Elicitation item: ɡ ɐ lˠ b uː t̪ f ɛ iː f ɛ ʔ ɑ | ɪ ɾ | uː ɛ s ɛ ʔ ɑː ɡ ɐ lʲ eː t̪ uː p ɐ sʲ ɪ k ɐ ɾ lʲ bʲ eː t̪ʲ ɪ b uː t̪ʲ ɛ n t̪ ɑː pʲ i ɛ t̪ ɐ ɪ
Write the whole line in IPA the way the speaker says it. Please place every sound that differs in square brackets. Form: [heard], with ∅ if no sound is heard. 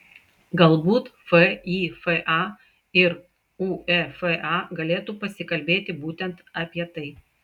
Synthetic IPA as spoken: ɡ ɐ lˠ b uː t̪ f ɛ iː f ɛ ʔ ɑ | ɪ ɾ | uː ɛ [f] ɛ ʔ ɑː ɡ ɐ lʲ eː t̪ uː p ɐ sʲ ɪ k ɐ [∅] lʲ bʲ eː t̪ʲ ɪ b uː t̪ʲ ɛ n t̪ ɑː pʲ i ɛ t̪ ɐ ɪ